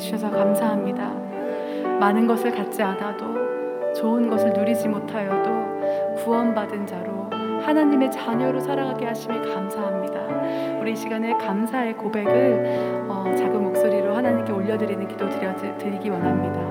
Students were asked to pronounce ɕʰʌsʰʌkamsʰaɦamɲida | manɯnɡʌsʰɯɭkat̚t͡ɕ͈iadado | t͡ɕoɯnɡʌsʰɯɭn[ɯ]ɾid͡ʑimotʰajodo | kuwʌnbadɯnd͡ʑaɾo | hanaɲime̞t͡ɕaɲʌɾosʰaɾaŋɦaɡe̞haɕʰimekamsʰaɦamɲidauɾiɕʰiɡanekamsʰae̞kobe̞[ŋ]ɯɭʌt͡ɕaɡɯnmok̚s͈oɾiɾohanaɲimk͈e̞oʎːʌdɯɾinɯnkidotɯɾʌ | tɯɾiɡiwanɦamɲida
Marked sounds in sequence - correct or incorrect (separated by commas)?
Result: incorrect, incorrect